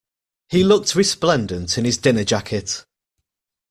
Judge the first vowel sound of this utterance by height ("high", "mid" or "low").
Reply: high